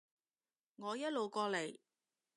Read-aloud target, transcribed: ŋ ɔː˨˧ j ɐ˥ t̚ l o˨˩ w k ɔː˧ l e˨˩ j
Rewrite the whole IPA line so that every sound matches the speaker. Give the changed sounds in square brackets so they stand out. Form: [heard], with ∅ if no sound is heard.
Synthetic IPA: ŋ ɔː˨˧ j ɐ˥ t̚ l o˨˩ w k ɔː˧ l e˨˩ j